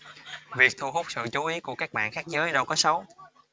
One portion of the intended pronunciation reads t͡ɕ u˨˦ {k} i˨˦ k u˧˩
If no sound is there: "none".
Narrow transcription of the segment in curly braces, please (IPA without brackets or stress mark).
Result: ʔ